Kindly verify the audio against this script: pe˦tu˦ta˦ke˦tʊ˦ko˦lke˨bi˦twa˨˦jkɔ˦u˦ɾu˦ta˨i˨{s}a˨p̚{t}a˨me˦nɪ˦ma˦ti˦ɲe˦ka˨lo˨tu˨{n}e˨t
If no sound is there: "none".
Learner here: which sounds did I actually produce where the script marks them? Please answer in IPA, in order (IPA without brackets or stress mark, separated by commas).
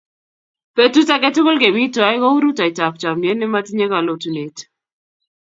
t, t͡ʃ, n